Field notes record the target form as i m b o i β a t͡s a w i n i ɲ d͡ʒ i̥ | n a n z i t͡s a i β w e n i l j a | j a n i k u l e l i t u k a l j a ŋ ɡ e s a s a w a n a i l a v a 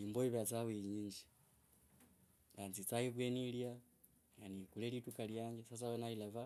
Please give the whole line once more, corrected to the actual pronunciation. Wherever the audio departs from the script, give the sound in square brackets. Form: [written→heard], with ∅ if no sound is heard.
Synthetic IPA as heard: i m b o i β a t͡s a w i [n→ɲ] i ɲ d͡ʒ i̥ | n a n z i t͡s a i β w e n i l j a | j a n i k u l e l i t u k a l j a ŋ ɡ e s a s a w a n a i l a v a